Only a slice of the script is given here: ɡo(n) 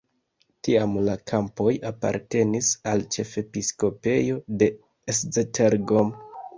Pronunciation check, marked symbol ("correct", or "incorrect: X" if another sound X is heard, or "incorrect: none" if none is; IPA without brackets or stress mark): incorrect: m